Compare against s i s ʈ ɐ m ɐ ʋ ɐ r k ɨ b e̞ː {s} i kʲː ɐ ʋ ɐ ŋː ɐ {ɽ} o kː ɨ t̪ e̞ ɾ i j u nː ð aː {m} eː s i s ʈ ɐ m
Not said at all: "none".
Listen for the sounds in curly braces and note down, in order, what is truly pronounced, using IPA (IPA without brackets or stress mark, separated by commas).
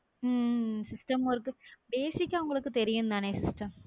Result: s, ɭ, ɳ